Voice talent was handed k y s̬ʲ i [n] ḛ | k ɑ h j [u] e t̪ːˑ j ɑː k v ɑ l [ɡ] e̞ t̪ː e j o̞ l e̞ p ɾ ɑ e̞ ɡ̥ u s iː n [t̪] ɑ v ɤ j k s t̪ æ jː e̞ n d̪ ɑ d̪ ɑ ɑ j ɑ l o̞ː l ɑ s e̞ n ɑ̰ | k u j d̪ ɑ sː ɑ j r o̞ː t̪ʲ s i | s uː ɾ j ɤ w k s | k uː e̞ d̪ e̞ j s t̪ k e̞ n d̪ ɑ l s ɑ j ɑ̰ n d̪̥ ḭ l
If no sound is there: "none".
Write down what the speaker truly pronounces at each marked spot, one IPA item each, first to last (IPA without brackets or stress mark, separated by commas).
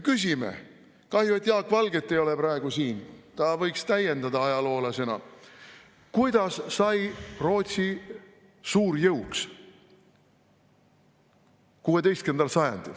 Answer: m, u, ɡ, t̪